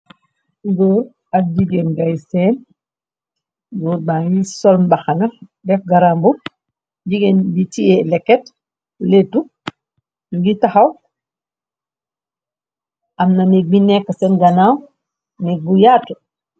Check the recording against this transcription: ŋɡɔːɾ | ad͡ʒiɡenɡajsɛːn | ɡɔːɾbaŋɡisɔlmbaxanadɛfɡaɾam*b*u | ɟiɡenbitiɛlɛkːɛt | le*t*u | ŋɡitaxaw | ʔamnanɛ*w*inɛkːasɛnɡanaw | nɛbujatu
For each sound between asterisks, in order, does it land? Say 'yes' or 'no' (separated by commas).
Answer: yes, yes, no